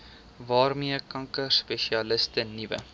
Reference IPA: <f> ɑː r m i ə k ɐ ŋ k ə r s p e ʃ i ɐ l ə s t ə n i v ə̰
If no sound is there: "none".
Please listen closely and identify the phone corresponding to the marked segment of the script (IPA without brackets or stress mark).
v